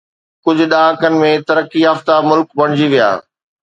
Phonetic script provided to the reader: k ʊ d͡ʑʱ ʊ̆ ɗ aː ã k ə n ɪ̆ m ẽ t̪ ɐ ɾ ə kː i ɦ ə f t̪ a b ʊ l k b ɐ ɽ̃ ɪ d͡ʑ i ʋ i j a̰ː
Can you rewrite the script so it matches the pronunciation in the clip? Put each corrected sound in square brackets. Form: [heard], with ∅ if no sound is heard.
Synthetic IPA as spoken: k ʊ d͡ʑʱ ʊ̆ ɗ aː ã k ə n ɪ̆ m ẽ t̪ ɐ ɾ ə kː i ɦ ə f t̪ a [m] ʊ l k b ɐ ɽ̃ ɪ d͡ʑ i ʋ i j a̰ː